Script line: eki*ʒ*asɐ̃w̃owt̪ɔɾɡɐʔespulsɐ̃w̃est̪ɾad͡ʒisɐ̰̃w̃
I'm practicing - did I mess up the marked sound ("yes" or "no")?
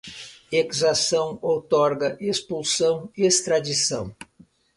yes